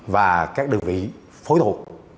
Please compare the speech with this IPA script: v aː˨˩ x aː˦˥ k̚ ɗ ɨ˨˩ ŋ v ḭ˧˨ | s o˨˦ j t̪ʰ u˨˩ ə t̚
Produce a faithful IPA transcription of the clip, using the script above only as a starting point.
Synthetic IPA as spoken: v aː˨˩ k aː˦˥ k̚ ɗ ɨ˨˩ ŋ v ḭ˧˨ | f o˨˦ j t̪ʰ u˨˩ ə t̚